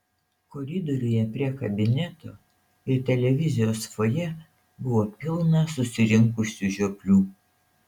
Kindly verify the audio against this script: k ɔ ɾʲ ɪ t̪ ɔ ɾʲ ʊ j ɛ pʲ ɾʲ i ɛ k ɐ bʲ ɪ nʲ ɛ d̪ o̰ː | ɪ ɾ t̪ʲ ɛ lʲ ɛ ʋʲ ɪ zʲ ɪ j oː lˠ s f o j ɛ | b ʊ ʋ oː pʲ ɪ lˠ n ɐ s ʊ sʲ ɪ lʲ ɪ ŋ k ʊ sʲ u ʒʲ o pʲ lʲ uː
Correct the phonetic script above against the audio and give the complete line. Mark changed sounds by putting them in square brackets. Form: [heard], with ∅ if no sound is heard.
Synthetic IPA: k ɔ ɾʲ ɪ [d̪] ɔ ɾʲ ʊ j ɛ pʲ ɾʲ i ɛ k ɐ bʲ ɪ nʲ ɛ [t̪] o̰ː | ɪ ɾ t̪ʲ ɛ lʲ ɛ ʋʲ ɪ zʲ ɪ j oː [∅] s f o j ɛ | b ʊ ʋ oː pʲ ɪ lˠ n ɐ s ʊ sʲ ɪ [ɾʲ] ɪ ŋ k ʊ sʲ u ʒʲ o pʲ lʲ uː